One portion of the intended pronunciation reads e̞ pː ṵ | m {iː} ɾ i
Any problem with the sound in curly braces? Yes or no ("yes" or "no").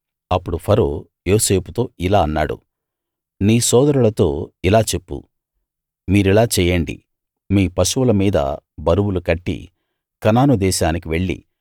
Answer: no